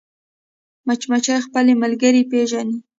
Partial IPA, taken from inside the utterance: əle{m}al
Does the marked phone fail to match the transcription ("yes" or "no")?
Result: no